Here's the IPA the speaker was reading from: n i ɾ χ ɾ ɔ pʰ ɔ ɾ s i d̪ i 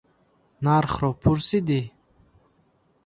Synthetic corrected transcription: n a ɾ χ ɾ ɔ pʰ u ɾ s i d̪ i